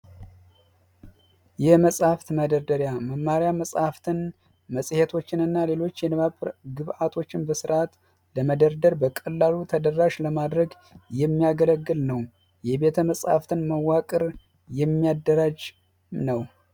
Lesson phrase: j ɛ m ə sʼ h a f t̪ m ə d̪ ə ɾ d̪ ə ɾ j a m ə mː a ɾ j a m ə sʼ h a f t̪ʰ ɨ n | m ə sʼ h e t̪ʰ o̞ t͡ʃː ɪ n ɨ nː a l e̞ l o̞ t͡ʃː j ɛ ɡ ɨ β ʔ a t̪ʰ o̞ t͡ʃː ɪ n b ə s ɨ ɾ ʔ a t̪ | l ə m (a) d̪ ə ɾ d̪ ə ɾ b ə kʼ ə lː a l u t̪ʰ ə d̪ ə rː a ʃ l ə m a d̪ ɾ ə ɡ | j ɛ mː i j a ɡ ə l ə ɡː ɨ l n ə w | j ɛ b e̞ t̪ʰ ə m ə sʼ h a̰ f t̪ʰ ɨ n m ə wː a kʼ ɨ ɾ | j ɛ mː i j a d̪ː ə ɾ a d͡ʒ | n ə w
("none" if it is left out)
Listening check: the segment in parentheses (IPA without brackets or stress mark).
ə